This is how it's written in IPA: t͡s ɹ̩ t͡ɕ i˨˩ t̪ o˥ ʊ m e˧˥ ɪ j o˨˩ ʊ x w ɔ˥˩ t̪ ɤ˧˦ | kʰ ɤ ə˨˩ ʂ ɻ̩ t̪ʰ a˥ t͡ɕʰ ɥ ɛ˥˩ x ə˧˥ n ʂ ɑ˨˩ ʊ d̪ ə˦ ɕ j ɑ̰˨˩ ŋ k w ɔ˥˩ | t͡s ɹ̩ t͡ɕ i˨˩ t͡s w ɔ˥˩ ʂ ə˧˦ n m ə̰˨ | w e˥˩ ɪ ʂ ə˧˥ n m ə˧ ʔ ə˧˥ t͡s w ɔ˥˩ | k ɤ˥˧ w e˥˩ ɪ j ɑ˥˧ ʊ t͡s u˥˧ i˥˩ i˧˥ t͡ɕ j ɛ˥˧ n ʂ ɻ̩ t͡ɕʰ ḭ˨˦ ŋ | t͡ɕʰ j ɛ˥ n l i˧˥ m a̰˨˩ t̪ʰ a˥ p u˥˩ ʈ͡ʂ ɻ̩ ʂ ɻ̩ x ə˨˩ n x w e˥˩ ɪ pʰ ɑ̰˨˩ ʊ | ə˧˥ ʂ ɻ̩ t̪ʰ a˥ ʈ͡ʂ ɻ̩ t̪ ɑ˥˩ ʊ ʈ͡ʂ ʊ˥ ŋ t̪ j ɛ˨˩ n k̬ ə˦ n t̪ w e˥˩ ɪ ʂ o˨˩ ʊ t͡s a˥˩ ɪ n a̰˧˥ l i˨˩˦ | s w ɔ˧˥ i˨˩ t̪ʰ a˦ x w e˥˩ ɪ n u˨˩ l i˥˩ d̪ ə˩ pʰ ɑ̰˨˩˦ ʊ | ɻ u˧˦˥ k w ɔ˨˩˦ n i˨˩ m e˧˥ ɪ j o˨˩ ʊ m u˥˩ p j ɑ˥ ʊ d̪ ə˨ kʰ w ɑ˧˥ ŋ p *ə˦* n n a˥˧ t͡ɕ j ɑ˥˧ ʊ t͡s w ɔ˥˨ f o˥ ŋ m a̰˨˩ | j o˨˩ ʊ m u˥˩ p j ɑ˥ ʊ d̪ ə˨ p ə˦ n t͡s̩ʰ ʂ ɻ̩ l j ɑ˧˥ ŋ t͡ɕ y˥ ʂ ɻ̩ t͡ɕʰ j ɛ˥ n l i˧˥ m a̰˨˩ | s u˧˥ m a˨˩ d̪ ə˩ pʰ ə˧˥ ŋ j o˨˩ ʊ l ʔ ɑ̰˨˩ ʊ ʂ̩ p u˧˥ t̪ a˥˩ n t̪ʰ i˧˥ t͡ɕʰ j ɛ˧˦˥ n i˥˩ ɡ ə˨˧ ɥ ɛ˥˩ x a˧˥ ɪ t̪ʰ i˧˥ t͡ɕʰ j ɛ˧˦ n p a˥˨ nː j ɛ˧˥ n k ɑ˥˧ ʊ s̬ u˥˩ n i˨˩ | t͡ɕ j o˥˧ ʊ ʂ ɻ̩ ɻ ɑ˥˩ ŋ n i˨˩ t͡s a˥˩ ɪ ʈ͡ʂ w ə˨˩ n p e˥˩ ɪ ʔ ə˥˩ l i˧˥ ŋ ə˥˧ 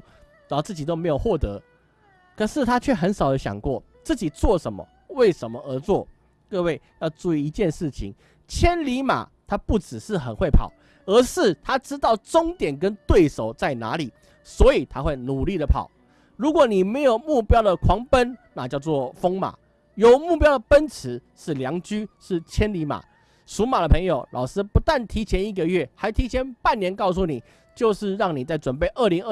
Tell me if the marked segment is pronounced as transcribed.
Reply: yes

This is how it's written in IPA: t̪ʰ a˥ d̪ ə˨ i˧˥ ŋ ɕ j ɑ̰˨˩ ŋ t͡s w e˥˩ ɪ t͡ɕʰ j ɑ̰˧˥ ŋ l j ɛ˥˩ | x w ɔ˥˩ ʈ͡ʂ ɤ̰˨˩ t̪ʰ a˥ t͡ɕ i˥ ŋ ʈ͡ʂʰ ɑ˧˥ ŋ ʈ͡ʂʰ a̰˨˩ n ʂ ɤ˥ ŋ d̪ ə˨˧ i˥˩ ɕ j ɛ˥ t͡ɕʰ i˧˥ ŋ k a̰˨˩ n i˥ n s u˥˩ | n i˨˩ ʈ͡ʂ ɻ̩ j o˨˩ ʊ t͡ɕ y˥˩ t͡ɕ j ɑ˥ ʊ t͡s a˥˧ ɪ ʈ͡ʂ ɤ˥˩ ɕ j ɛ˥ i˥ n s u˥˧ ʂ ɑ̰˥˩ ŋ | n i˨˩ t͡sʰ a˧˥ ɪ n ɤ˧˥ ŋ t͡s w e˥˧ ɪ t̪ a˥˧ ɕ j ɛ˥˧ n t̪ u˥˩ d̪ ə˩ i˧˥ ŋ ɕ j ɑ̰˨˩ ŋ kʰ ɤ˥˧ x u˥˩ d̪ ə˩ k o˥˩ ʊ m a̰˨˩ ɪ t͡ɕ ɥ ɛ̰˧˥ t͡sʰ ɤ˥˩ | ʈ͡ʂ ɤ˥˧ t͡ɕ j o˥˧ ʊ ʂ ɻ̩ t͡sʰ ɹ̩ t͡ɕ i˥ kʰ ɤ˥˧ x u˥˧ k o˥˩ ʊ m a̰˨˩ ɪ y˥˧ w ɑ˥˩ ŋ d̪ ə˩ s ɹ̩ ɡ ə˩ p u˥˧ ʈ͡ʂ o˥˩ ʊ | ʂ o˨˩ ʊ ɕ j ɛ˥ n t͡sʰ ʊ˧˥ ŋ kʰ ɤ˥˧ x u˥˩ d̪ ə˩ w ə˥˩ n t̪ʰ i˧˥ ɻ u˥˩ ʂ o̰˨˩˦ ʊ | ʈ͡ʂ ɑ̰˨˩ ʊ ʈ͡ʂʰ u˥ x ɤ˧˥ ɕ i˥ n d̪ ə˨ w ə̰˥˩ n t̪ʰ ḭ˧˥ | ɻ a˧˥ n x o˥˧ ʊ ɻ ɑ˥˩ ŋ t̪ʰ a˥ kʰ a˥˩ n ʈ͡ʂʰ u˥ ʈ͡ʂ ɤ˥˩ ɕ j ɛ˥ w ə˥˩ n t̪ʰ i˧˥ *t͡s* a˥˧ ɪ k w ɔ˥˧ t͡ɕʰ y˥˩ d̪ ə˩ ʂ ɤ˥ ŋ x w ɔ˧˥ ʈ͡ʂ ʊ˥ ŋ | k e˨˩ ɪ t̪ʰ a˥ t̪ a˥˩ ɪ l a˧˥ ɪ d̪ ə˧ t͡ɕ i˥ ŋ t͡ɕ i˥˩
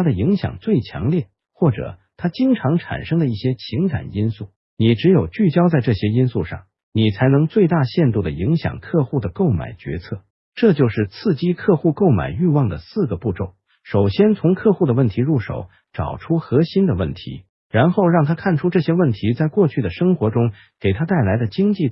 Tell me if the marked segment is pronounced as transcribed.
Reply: yes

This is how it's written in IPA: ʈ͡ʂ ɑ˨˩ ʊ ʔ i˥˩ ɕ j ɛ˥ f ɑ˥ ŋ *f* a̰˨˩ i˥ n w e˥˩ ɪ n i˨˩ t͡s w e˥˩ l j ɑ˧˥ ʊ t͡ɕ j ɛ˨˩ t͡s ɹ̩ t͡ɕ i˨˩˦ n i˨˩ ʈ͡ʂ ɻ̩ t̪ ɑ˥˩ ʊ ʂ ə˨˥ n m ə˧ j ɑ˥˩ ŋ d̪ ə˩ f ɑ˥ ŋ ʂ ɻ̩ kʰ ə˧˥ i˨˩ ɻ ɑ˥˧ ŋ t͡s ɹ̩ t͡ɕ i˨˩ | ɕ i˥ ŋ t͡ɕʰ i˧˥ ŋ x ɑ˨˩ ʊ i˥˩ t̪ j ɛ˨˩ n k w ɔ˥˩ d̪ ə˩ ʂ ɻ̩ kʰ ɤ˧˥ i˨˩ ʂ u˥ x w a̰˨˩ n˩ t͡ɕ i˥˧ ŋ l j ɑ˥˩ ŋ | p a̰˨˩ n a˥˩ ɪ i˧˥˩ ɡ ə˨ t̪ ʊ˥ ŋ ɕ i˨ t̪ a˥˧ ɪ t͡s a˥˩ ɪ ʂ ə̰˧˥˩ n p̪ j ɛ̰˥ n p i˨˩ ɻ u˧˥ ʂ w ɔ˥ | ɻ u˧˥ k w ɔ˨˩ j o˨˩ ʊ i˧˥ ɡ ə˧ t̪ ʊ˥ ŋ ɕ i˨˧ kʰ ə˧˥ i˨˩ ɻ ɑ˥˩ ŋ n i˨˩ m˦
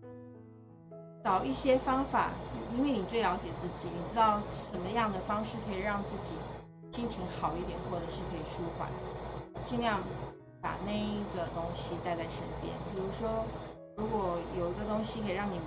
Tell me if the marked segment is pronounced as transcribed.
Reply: yes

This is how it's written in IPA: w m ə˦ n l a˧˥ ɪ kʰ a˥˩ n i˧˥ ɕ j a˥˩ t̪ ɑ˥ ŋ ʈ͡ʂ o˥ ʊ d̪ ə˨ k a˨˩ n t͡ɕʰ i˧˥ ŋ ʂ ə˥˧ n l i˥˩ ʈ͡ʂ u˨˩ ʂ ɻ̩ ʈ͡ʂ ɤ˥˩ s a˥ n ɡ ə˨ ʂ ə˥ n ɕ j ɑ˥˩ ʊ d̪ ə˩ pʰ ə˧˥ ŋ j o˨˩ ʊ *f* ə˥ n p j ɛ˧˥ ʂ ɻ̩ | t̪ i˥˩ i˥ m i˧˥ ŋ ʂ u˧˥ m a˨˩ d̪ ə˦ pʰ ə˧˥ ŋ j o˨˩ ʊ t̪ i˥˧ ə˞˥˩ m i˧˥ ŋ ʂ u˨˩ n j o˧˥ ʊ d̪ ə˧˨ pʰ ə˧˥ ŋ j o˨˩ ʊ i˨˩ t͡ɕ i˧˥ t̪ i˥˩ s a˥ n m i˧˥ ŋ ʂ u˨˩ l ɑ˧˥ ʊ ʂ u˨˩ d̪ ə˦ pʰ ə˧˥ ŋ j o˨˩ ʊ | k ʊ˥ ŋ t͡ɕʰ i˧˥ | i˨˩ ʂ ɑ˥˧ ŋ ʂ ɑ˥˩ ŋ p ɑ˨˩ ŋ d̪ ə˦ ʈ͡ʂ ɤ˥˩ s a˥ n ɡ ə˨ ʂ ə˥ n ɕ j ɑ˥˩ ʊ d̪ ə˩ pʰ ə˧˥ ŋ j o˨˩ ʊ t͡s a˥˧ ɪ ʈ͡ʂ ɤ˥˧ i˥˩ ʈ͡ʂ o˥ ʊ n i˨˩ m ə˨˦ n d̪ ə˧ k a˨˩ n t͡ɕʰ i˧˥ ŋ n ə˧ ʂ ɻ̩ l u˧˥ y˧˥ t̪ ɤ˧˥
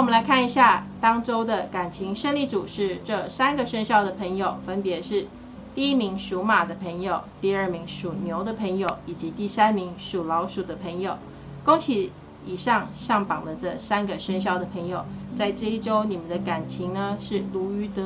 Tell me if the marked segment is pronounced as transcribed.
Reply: yes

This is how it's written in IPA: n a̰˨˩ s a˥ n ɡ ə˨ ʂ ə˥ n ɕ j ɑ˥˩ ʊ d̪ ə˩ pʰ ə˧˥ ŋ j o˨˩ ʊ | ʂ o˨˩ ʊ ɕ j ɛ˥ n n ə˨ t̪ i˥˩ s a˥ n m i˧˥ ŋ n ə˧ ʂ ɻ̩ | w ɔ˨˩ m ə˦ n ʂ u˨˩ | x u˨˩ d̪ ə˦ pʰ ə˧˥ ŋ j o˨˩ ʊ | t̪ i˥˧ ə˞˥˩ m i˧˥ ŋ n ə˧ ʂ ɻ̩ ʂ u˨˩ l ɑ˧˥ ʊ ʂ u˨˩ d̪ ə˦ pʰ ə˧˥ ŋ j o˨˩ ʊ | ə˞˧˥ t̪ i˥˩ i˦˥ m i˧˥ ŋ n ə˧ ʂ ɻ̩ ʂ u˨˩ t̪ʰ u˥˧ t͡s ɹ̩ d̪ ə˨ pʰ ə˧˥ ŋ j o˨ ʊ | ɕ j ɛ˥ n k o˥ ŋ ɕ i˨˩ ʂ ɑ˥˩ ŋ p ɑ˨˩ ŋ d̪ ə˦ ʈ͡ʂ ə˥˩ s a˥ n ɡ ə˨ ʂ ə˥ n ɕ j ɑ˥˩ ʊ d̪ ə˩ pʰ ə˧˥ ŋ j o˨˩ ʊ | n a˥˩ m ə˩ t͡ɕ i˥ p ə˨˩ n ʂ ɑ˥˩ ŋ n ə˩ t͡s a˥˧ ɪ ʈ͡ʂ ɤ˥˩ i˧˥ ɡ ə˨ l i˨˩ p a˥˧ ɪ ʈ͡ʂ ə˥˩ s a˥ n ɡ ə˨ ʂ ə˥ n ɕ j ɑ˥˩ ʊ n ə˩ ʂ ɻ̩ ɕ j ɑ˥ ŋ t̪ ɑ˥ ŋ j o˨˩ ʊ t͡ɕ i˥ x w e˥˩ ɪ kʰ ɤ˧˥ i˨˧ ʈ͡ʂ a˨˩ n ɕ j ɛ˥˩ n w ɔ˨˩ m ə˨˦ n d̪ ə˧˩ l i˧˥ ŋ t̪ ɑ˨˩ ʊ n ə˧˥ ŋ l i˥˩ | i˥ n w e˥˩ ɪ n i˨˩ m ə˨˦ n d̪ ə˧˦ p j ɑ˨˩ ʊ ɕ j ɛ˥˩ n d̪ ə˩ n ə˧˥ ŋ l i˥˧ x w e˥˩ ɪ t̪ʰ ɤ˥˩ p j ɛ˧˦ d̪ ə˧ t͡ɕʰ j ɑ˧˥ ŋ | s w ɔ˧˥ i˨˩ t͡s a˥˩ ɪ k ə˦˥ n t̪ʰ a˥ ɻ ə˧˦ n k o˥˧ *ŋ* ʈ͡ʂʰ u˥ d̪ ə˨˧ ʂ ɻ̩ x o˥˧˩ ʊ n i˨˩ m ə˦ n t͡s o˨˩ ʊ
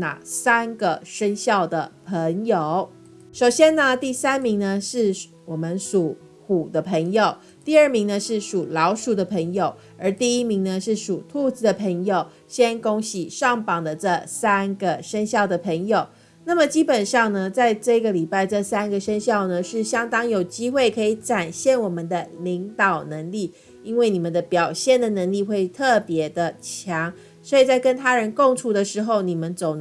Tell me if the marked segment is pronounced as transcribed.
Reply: yes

